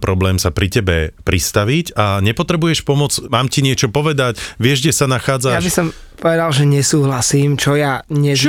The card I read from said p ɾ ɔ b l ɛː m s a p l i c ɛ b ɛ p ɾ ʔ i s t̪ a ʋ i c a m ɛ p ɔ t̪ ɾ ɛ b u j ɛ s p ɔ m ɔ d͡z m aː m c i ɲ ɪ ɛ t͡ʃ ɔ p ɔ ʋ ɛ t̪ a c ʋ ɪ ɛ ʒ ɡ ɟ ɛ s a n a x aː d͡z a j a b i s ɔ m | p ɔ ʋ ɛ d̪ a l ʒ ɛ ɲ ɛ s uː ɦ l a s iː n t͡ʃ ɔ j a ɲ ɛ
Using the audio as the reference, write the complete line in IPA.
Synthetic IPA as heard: p ɾ ɔ b l ɛː m s a p ɾ i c ɛ b ɛ p ɾ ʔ i s t̪ a ʋ i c a ɲ ɛ p ɔ t̪ ɾ ɛ b u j ɛ ʃ p ɔ m ɔ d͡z m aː m c i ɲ ɪ ɛ t͡ʃ ɔ p ɔ ʋ ɛ d̪ a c ʋ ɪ ɛ ʒ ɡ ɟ ɛ s a n a x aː d͡z a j a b i s ɔ m | p ɔ ʋ ɛ d̪ a l ʒ ɛ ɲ ɛ s uː ɦ l a s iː m t͡ʃ ɔ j a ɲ ɛ